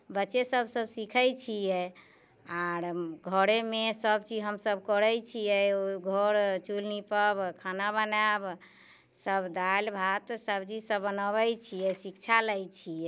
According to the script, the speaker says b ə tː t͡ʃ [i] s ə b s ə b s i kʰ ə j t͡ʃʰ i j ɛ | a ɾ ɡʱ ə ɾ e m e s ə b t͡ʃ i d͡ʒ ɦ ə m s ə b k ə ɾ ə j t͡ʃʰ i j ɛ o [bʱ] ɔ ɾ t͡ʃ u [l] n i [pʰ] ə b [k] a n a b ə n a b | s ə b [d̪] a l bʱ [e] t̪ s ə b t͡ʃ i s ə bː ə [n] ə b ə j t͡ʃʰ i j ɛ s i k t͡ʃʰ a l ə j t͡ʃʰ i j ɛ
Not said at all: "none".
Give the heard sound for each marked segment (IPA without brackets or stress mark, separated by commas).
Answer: e, ɡʱ, l, p, kʰ, d̪, a, n